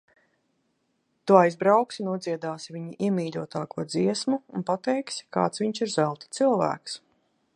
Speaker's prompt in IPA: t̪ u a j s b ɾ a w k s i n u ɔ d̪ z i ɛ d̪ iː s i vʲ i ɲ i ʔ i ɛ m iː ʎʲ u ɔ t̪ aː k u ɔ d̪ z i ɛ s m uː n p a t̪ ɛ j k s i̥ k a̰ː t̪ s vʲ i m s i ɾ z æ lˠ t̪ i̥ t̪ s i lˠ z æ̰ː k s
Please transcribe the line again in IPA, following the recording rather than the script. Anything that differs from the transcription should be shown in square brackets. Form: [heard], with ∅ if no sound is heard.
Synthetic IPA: t̪ u a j [z] b ɾ a w k s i n u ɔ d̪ z i ɛ d̪ [aː] s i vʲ i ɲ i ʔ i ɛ m iː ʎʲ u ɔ t̪ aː k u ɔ d̪ z i ɛ s m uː n p a t̪ ɛ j k s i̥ k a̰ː t̪ s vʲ i [ɲ] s i ɾ z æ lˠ t̪ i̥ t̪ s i lˠ [v] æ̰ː k s